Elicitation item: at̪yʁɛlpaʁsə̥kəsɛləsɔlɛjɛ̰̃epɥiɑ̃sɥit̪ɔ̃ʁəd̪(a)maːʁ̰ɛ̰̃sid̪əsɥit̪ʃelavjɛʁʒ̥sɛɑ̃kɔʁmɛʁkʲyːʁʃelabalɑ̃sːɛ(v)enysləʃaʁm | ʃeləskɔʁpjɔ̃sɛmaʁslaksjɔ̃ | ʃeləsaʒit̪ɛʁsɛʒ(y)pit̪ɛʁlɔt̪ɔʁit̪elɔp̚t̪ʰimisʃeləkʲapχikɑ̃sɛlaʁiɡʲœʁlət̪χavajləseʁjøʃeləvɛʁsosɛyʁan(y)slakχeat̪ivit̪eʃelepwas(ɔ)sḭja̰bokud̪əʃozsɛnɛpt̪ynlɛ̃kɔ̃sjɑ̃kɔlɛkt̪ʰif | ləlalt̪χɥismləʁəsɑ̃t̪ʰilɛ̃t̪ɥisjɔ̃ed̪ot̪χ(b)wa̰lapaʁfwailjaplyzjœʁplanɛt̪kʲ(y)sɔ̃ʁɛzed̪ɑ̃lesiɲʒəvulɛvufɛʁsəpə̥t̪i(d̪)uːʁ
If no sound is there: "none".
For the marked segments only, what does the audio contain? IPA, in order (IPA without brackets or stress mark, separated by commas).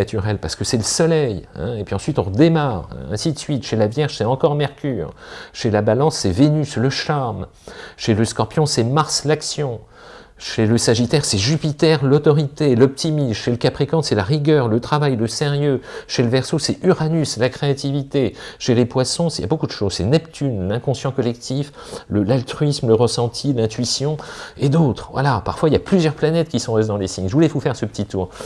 e, v, y, y, ɔ̃, v, i, t̪